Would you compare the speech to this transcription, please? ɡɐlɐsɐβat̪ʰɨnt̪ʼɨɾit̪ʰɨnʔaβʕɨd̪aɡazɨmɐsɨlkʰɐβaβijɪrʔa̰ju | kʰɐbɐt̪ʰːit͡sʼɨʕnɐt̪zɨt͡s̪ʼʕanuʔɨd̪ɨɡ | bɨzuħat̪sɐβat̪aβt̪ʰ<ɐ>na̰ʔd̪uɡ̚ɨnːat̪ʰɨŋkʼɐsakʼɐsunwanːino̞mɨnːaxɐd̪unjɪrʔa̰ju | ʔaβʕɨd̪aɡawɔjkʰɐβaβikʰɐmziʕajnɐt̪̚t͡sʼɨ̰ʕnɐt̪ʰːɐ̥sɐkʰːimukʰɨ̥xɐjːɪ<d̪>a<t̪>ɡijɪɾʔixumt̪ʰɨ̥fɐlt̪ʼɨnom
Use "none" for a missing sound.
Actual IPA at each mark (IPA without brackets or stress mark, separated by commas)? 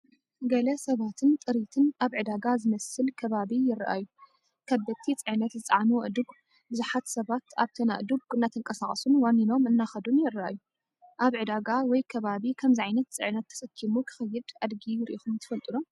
ɐ, d̪, d̪